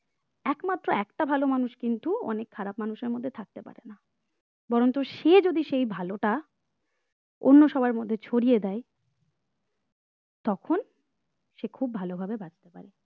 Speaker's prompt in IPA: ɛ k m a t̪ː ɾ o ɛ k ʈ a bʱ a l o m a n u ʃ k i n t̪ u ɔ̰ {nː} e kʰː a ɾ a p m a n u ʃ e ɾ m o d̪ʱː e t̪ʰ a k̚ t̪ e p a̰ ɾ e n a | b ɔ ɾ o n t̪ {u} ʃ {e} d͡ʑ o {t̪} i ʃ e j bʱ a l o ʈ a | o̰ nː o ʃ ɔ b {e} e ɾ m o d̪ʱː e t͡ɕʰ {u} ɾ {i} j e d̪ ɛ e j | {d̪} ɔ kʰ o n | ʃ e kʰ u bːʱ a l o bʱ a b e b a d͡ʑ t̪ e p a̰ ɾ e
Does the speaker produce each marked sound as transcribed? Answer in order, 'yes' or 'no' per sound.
no, no, yes, no, no, no, yes, no

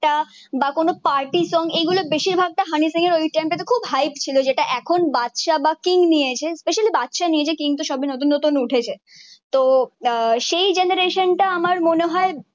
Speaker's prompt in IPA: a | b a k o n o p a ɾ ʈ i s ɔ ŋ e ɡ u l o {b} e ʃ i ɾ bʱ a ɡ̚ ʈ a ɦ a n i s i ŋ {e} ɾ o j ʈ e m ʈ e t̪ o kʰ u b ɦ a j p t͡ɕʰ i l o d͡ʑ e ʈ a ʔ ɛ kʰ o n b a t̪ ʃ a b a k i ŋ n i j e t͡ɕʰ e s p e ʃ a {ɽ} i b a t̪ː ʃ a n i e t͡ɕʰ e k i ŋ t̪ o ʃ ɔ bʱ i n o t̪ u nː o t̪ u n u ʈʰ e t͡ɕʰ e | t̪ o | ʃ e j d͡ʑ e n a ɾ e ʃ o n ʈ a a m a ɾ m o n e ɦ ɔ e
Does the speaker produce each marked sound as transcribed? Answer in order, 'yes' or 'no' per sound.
yes, yes, no

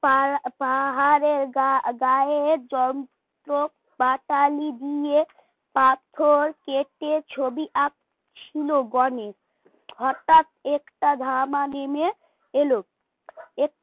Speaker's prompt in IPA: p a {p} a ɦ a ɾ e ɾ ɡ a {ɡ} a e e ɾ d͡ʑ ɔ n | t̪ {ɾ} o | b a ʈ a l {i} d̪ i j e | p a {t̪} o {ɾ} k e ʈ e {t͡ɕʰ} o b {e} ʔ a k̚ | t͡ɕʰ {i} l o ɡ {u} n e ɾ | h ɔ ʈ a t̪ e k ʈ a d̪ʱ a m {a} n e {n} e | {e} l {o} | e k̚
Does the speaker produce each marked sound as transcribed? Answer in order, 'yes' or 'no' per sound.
yes, yes, yes, yes, no, yes, yes, no, yes, no, yes, no, yes, yes

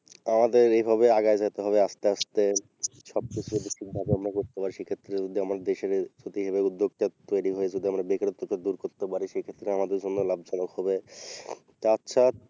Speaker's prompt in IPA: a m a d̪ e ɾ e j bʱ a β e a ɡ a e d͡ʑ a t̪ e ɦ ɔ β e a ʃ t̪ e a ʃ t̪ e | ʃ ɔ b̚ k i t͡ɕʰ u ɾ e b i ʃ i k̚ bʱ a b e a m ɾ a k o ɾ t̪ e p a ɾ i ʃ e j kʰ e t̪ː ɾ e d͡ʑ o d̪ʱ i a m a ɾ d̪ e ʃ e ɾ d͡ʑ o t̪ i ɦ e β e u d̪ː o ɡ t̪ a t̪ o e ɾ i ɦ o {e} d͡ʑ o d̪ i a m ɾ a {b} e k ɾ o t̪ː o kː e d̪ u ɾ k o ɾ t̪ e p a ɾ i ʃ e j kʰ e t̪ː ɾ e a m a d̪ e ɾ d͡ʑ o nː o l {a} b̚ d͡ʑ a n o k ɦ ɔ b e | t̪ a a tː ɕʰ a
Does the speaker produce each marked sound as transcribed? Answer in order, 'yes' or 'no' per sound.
yes, yes, yes

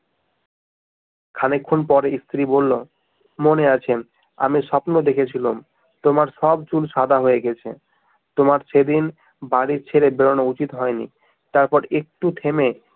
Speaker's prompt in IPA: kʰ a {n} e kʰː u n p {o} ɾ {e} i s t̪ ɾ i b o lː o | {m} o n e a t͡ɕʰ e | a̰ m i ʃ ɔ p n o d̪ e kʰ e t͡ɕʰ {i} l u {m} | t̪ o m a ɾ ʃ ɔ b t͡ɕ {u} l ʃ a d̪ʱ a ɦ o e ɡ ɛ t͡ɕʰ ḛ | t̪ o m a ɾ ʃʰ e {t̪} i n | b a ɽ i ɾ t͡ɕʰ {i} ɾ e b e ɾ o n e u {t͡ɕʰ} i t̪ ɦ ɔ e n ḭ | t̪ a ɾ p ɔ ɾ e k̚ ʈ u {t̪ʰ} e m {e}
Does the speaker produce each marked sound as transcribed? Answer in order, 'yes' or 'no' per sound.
yes, no, yes, yes, yes, yes, yes, no, no, no, yes, yes

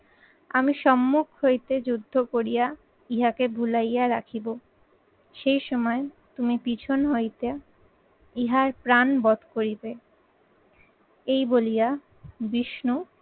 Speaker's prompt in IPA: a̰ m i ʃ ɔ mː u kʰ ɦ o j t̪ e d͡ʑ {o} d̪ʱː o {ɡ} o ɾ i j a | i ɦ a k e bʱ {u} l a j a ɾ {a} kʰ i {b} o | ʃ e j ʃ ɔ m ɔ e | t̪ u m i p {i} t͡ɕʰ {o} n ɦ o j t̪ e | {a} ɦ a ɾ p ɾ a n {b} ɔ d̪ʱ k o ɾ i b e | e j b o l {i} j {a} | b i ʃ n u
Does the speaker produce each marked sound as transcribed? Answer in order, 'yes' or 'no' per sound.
no, no, yes, yes, yes, yes, yes, no, yes, yes, yes

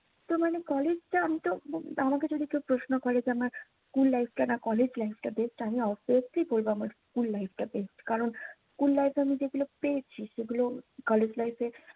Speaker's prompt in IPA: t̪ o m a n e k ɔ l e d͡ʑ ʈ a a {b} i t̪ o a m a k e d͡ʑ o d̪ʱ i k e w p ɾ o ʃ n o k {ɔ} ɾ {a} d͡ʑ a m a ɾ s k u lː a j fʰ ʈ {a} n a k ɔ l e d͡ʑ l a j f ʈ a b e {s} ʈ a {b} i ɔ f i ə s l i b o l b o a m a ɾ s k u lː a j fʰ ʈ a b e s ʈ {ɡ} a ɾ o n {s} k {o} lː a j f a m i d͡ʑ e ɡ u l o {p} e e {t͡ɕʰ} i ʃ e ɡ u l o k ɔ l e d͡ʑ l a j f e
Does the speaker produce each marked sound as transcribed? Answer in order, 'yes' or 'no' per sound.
no, yes, no, yes, yes, no, no, yes, no, yes, yes

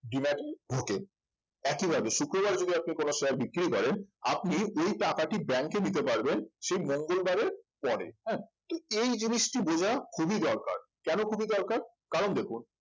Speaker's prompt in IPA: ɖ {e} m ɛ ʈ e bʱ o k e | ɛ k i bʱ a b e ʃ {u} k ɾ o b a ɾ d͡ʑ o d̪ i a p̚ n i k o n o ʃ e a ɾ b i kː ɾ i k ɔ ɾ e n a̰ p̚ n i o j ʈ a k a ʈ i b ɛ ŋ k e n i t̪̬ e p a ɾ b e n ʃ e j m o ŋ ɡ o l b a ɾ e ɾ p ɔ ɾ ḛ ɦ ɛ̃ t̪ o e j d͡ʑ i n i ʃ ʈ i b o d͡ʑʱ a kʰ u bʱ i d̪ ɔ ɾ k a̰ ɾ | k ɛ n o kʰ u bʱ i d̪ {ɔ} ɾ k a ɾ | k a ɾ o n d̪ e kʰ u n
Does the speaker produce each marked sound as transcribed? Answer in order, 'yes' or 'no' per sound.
no, yes, yes

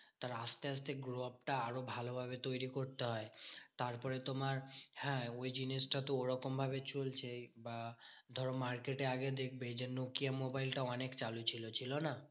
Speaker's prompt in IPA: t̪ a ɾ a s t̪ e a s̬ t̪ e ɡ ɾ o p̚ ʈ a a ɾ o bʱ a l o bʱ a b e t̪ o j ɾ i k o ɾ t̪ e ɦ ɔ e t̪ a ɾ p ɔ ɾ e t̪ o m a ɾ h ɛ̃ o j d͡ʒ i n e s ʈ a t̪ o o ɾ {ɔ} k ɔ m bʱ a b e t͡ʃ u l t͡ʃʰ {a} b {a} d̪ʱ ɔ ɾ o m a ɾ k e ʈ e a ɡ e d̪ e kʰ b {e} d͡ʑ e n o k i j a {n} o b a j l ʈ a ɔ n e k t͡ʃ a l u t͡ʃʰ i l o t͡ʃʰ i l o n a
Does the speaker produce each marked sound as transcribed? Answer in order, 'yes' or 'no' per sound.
yes, no, yes, yes, no

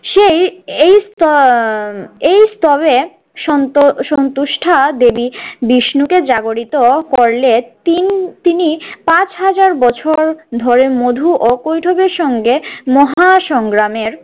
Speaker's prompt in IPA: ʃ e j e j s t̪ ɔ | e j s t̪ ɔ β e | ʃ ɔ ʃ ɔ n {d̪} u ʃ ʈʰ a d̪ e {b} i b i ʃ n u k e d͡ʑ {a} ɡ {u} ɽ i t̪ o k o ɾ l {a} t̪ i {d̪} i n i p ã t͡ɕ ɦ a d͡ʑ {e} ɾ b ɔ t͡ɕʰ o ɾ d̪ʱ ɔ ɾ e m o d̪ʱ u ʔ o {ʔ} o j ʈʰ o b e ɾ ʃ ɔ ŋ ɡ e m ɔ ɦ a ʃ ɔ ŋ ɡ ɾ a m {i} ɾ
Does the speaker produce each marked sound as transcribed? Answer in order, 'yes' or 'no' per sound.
no, yes, yes, no, no, no, no, no, no

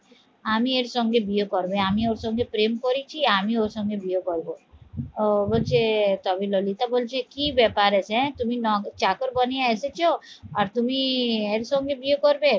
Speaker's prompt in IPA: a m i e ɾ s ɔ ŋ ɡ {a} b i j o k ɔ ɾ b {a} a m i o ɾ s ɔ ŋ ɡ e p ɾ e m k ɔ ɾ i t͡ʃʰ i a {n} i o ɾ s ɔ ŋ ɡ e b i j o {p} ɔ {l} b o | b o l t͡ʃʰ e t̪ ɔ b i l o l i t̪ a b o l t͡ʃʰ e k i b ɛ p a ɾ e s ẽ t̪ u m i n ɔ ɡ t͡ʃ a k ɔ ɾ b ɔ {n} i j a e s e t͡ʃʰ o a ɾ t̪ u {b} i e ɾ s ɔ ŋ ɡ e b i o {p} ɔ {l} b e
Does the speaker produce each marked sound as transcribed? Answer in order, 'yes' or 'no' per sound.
no, no, no, no, no, yes, no, no, no

